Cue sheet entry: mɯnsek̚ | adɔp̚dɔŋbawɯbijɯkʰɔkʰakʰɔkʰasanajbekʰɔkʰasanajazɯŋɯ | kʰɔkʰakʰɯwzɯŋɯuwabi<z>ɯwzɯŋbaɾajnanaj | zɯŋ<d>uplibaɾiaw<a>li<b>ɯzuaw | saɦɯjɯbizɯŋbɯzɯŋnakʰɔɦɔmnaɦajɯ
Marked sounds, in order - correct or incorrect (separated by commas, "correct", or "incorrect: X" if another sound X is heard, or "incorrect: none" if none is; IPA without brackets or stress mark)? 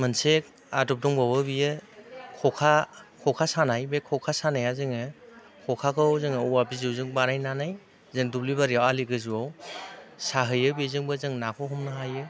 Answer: correct, correct, correct, incorrect: ɡ